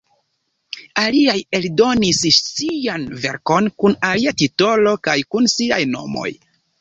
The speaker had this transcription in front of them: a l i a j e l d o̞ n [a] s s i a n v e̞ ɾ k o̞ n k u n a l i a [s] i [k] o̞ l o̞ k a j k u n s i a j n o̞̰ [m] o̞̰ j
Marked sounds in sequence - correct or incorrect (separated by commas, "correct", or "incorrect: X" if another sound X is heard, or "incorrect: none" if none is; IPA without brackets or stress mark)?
incorrect: i, incorrect: t, incorrect: t, correct